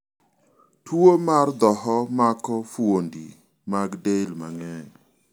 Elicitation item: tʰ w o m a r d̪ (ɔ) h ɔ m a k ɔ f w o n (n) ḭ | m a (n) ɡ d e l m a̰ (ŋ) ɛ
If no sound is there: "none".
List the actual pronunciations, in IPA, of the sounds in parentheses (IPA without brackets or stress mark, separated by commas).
ɔ, d, none, ŋ